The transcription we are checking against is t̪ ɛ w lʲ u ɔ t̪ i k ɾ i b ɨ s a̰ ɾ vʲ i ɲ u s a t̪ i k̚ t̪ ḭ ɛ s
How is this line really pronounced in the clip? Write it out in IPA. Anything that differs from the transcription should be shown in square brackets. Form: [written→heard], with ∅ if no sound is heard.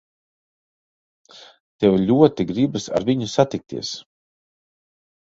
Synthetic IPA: t̪ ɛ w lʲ u ɔ t̪ i [k→ɡ] ɾ i b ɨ s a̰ ɾ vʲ i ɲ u s a t̪ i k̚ t̪ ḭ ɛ s

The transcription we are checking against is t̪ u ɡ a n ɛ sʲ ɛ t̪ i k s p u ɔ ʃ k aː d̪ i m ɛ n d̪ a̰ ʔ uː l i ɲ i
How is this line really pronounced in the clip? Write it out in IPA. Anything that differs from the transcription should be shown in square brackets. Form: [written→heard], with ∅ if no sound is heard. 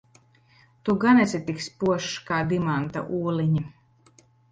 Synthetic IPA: t̪ u ɡ a n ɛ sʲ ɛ t̪ i k s p u ɔ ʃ k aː d̪ i m [ɛ→a] n [d̪→t̪] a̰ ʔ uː l i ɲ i

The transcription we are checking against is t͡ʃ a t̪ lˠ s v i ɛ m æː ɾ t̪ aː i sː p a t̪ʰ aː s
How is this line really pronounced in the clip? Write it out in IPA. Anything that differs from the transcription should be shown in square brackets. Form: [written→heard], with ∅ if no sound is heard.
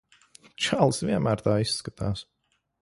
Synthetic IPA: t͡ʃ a [t̪→∅] lˠ s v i ɛ m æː ɾ t̪ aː i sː [p→k] a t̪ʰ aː s

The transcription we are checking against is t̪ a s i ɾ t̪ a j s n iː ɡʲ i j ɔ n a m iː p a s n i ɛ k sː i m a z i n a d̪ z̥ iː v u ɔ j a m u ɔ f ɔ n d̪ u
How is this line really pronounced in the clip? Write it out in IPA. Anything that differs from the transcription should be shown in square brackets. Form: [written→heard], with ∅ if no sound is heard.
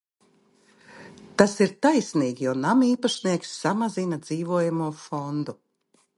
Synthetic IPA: t̪ a s i ɾ t̪ a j s n iː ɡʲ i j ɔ n a m iː p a [s→ʃ] n i ɛ k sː [i→a] m a z i n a d̪ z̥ iː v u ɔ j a m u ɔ f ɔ n d̪ u

